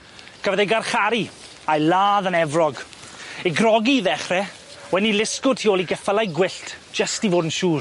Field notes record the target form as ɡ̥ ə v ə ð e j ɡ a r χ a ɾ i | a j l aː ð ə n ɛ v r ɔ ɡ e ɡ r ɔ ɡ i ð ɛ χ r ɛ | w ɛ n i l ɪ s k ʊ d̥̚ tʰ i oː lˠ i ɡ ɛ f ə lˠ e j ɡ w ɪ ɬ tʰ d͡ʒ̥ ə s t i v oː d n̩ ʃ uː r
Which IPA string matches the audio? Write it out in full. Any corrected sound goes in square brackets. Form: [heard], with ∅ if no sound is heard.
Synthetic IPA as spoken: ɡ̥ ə v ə ð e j ɡ a r χ a ɾ i | a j l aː ð ə n ɛ v r ɔ ɡ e ɡ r ɔ ɡ i ð ɛ χ r ɛ | w ɛ n i l ɪ s k ʊ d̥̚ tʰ i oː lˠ i ɡ ɛ f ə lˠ [a] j ɡ w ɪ ɬ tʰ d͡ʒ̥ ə s t i v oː d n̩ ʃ uː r